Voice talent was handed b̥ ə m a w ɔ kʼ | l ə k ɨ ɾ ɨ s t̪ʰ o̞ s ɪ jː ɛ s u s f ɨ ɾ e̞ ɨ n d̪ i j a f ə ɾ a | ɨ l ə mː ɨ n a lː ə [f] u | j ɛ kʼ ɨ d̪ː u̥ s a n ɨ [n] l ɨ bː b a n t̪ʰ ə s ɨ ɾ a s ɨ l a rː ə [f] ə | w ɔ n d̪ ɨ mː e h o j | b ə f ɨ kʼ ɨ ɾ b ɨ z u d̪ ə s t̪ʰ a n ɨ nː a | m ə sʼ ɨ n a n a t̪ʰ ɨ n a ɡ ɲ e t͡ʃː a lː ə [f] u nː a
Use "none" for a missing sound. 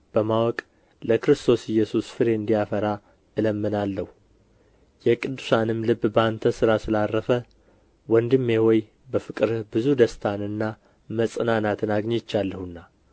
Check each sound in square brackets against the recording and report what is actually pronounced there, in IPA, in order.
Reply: h, m, f, h

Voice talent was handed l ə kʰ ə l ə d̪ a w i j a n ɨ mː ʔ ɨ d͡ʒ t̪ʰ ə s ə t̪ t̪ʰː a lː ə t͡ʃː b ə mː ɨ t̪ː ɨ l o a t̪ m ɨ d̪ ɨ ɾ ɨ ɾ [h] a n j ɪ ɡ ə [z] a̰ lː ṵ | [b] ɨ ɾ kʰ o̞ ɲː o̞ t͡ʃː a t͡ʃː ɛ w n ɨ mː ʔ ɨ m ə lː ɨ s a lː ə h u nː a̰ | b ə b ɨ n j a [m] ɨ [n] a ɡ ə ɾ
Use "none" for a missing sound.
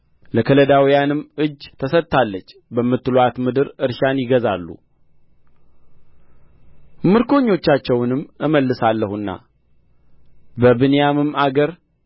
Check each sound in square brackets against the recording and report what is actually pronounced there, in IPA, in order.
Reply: ʃ, z, m, m, m

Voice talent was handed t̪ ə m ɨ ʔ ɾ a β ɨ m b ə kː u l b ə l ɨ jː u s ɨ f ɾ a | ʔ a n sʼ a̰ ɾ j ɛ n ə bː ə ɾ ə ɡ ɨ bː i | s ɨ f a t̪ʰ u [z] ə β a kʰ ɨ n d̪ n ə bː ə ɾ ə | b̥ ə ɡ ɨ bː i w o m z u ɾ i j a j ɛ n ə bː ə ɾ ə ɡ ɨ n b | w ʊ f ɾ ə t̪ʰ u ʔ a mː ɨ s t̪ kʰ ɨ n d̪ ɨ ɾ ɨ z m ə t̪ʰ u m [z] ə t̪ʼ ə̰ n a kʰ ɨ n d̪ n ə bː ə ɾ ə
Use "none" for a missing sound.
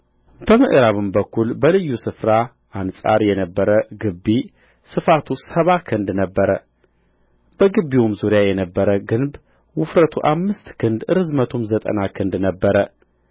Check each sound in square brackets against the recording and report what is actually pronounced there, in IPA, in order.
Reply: s, z

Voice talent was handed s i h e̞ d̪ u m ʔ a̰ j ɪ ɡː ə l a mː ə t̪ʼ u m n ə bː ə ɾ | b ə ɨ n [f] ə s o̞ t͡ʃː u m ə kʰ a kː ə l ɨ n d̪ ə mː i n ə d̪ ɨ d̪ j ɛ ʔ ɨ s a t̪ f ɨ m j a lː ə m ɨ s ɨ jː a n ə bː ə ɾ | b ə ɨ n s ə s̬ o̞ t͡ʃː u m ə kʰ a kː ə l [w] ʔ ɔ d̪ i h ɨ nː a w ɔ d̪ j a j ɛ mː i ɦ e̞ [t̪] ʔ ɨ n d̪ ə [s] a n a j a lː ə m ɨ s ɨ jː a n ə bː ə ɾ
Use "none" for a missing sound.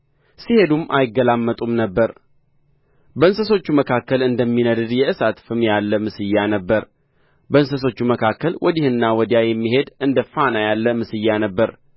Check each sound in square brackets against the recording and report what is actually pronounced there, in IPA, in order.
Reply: s, w, d̪, f

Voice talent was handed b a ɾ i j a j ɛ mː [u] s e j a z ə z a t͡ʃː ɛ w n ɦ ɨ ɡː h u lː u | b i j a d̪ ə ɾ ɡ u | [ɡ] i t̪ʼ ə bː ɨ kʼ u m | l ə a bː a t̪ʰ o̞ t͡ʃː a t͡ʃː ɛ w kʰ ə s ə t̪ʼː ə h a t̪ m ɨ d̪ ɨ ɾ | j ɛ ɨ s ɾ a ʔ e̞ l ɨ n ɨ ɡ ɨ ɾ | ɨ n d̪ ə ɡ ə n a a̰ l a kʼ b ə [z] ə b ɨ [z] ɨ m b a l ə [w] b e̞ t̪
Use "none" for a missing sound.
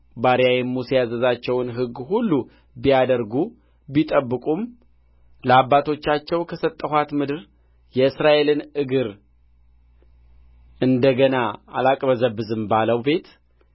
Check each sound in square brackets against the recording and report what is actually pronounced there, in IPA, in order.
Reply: u, b, z, z, w

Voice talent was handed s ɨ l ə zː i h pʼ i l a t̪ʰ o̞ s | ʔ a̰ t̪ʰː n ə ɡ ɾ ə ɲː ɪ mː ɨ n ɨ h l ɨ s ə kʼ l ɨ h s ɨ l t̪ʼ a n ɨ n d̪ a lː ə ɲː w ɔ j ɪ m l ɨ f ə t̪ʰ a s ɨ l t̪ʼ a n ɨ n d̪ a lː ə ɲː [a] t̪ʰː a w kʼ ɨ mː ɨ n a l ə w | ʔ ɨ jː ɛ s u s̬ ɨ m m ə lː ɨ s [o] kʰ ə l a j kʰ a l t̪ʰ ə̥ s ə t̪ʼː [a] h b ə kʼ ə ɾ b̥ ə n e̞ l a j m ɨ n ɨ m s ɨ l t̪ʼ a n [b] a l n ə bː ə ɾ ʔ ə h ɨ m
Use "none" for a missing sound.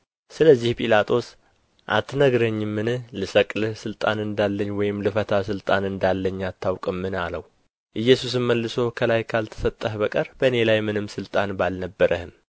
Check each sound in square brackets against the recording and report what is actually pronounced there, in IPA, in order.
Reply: a, o, ə, b

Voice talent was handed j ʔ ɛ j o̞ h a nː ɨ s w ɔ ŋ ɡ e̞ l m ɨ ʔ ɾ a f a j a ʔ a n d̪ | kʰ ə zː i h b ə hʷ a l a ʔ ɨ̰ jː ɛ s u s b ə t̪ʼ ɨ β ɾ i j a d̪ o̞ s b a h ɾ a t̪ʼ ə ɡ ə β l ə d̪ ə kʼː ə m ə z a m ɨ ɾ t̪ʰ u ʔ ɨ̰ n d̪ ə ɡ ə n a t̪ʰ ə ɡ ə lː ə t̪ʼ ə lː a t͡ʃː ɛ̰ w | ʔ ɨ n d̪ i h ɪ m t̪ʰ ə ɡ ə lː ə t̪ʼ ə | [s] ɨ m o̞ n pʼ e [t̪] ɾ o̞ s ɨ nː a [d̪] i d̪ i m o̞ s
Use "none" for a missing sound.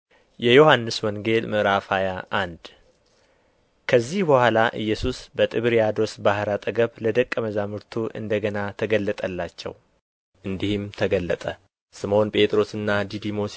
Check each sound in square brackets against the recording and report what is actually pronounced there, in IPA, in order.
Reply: s, t̪ʼ, d̪

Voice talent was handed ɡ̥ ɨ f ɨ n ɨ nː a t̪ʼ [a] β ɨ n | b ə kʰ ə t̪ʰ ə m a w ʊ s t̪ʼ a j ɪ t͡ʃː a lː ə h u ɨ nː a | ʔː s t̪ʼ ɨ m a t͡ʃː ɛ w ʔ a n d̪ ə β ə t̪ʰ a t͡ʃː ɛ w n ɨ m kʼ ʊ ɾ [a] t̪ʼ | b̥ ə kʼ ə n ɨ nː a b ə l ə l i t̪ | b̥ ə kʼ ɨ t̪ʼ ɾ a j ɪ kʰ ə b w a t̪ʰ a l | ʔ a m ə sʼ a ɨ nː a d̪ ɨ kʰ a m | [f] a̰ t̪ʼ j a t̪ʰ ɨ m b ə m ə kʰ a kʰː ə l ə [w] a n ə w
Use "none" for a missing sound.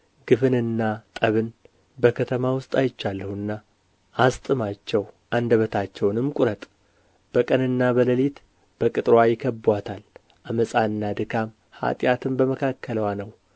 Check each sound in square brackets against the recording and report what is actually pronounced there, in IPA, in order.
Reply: ə, ə, h, w

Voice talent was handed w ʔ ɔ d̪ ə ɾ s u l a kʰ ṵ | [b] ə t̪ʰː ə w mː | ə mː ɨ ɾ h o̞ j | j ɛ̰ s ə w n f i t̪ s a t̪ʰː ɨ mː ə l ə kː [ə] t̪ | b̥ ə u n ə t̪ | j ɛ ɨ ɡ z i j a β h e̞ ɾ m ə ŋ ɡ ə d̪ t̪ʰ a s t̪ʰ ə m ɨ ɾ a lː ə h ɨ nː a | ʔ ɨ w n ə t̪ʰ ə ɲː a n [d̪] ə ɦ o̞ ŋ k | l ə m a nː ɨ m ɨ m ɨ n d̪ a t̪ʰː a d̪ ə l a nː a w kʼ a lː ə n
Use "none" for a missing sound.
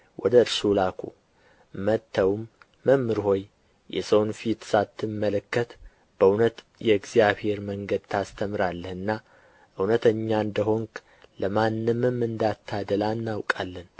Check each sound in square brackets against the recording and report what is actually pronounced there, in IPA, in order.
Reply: m, ə, d̪

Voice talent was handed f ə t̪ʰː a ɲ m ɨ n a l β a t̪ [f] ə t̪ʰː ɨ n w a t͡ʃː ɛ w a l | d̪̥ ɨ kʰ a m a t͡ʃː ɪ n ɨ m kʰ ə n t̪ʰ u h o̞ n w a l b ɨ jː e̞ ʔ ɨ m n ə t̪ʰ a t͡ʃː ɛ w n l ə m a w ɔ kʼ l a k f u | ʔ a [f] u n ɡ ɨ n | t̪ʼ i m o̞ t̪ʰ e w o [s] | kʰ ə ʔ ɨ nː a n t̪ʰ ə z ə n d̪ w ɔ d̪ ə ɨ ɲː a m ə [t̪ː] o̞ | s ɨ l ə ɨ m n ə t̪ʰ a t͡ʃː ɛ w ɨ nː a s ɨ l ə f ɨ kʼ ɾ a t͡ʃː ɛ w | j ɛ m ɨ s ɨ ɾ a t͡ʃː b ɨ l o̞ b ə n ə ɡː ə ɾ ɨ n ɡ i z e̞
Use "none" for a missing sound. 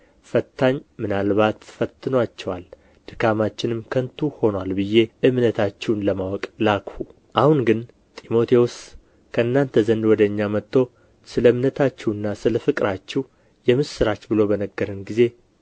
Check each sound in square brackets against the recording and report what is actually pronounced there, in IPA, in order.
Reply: f, h, s, t̪ː

